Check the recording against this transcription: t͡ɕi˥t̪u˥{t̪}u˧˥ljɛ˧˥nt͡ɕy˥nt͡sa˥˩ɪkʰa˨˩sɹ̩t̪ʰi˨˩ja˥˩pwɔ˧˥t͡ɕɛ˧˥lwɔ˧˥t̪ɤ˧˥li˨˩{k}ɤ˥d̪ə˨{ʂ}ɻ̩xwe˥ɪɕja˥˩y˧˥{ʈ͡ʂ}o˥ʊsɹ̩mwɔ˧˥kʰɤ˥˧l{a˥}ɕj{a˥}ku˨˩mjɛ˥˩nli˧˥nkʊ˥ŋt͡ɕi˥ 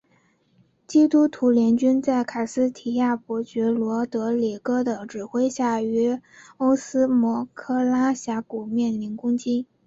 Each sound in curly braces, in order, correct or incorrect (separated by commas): incorrect, correct, incorrect, incorrect, correct, incorrect